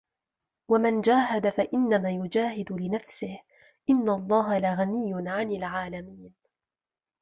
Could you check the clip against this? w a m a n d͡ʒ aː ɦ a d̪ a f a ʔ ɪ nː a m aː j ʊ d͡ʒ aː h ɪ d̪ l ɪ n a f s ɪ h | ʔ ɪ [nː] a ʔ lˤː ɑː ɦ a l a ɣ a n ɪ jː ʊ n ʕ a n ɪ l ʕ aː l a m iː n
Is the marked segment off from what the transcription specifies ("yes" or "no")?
no